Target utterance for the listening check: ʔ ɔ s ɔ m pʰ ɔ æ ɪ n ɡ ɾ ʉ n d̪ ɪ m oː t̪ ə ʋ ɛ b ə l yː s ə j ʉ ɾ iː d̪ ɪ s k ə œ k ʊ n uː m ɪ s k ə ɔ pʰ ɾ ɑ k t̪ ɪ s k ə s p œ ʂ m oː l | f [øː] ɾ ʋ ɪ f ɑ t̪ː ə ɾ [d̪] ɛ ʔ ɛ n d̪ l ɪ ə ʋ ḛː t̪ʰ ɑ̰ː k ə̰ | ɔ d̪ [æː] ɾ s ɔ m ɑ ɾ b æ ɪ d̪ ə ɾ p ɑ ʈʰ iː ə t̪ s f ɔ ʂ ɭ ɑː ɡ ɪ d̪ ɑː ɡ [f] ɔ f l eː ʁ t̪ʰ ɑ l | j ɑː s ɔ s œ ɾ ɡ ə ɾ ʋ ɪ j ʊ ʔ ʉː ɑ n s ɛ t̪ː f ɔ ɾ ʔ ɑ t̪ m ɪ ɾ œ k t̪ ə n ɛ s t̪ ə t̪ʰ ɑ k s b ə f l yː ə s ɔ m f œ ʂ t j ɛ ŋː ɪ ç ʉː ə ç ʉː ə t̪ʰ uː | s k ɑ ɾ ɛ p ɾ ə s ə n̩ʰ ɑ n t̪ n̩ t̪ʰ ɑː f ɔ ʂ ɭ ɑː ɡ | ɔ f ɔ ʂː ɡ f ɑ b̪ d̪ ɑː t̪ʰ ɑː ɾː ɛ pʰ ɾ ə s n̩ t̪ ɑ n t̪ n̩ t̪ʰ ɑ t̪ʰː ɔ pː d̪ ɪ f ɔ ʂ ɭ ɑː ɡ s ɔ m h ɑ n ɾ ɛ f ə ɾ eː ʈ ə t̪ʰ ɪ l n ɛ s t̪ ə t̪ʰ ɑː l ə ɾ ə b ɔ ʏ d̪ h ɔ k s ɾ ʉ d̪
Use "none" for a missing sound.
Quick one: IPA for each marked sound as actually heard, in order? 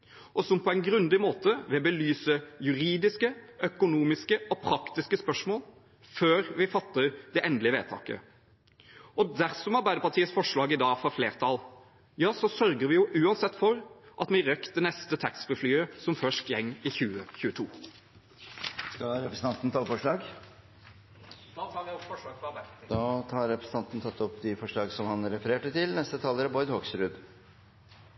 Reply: øː, d̪, æ, f

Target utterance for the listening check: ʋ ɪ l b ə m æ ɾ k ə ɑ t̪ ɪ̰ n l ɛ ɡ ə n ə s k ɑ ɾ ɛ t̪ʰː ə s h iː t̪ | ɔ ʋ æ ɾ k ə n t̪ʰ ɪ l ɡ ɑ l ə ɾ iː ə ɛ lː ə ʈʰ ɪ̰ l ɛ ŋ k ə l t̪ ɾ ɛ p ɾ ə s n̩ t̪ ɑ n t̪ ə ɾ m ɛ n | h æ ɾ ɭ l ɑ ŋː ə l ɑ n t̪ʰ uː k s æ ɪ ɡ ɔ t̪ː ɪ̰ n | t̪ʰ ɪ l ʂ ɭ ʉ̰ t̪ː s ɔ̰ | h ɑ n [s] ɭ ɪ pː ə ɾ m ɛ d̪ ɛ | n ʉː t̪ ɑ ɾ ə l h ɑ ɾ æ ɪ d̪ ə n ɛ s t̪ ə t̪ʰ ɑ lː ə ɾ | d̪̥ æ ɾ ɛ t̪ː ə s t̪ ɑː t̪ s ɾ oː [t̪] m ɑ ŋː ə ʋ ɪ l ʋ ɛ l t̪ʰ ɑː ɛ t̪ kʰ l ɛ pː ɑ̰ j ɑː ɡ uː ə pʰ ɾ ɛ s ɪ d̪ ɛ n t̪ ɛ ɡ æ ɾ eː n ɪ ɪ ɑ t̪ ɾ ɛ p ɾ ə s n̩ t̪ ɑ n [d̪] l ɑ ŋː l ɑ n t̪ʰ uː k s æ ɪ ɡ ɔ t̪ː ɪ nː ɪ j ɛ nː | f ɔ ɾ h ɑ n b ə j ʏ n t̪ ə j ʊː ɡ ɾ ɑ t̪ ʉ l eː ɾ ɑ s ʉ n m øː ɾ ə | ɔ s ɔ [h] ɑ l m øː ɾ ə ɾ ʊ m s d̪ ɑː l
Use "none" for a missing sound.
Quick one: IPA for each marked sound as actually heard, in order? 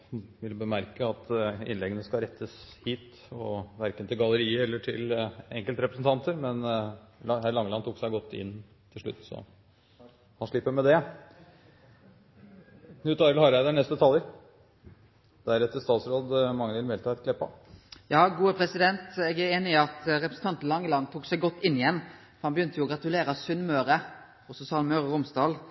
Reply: ʂ, d̪, t̪, s

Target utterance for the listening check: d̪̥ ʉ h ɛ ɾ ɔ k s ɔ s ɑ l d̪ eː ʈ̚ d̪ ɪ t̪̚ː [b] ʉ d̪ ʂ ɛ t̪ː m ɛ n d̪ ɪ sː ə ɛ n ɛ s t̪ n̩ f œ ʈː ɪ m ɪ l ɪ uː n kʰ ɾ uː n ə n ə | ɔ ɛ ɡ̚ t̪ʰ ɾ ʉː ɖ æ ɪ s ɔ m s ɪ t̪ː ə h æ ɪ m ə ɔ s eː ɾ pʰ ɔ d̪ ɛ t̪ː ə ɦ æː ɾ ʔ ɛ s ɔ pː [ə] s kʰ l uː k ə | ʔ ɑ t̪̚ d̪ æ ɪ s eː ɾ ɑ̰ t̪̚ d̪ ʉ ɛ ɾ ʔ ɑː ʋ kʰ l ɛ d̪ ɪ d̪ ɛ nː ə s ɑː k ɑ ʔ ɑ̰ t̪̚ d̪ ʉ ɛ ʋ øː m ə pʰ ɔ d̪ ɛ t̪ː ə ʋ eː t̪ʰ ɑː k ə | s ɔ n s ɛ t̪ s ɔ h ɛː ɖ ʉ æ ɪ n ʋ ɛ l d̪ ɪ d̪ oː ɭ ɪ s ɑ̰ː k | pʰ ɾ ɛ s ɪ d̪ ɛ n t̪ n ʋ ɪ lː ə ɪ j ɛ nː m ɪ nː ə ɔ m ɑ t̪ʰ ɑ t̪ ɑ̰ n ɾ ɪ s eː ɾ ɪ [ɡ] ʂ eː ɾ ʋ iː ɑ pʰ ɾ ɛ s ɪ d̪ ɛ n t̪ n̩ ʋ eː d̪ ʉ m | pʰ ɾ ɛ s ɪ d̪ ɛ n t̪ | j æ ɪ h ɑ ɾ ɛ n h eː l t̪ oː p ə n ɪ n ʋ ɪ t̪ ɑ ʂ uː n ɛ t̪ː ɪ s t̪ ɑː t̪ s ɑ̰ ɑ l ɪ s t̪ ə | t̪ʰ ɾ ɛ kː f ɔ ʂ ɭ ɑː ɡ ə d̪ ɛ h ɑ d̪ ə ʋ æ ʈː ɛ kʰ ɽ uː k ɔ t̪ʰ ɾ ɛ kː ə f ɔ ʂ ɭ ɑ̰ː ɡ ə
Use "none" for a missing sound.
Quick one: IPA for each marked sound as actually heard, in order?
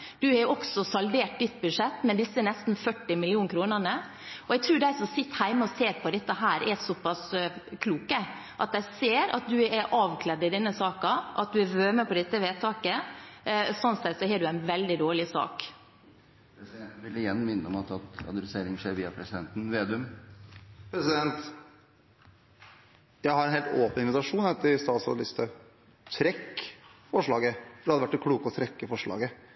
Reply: b, ɑ, ŋ

